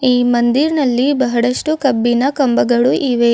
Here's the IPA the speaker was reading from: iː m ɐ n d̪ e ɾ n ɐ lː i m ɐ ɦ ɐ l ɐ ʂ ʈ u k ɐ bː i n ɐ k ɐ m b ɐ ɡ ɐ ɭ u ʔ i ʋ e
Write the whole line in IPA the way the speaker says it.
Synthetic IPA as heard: iː m ɐ n d̪ i ɾ n ɐ lː i b ɐ ɦ ɐ ɽ ɐ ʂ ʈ u k ɐ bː i n ɐ k ɐ m b ɐ ɡ ɐ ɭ u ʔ i ʋ e